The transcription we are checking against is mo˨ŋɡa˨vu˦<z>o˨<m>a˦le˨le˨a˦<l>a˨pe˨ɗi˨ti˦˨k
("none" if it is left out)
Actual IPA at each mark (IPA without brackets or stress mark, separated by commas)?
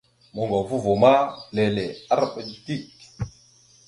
v, m, ɾ